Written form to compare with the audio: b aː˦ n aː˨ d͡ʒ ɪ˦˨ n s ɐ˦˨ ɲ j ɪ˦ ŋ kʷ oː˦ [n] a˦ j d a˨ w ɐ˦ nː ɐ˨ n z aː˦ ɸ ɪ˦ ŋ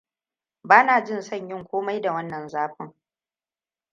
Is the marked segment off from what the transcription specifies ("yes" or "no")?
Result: yes